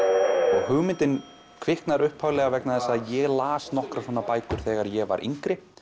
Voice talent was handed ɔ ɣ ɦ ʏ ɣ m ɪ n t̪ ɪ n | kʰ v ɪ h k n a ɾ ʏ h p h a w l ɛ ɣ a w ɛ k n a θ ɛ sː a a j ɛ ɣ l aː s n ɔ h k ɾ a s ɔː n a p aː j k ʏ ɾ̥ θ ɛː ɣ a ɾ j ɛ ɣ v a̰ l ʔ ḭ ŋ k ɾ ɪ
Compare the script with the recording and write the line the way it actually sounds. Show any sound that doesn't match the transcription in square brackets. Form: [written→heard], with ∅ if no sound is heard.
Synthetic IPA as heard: ɔ ɣ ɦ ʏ ɣ m ɪ n t̪ ɪ n | kʰ v ɪ h k n a ɾ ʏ h p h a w l ɛ ɣ a [w→v] ɛ k n a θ ɛ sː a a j ɛ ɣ l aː s n ɔ h k ɾ a s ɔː n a p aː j k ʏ ɾ̥ θ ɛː ɣ a ɾ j ɛ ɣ v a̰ [l→ɾ] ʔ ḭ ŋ k ɾ ɪ